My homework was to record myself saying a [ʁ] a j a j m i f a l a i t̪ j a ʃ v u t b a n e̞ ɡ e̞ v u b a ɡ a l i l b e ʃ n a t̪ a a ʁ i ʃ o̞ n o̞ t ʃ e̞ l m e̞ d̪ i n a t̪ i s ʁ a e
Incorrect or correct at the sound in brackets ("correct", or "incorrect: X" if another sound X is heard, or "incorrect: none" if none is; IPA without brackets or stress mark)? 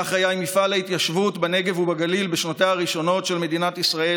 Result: incorrect: χ